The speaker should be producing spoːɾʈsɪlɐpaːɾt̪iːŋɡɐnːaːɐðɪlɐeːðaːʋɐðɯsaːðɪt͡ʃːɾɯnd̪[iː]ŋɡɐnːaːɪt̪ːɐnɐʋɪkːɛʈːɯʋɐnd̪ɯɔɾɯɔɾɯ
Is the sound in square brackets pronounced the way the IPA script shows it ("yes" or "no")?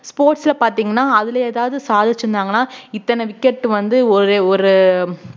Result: no